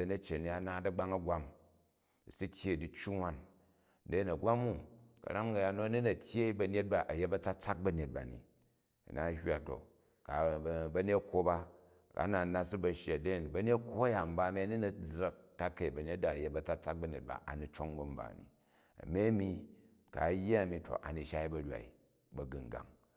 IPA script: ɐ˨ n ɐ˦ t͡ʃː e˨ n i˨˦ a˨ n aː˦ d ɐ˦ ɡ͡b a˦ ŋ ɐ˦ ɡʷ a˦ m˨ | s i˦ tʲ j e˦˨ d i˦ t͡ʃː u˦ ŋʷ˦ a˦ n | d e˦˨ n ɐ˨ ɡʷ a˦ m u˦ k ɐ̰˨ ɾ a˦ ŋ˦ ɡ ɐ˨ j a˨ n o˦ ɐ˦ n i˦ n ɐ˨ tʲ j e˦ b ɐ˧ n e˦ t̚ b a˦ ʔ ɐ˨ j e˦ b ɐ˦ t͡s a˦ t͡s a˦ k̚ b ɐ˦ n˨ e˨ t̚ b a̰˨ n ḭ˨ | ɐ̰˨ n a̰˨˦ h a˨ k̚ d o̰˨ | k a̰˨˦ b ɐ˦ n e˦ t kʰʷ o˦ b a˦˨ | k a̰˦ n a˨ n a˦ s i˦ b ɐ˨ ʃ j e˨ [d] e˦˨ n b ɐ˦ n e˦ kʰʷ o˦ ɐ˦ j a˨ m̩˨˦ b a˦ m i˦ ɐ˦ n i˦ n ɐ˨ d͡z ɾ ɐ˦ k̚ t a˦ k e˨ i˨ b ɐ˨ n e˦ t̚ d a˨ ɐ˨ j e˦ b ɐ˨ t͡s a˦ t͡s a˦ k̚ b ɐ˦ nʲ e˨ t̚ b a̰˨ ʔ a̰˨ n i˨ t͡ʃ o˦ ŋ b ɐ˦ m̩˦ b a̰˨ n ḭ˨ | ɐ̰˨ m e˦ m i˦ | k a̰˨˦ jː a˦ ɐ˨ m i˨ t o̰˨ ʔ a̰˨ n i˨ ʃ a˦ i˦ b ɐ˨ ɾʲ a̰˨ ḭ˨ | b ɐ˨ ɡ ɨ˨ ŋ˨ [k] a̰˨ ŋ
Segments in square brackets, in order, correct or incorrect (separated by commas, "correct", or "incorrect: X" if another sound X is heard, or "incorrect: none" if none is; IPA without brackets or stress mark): correct, incorrect: ɡ